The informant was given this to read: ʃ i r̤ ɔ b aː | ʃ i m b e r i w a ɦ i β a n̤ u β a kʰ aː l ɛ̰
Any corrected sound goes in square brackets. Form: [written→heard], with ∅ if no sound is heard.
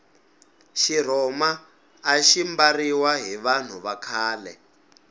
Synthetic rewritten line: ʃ i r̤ ɔ [b→m] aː | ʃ i m b [e→a] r i w a ɦ i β a n̤ u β a kʰ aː l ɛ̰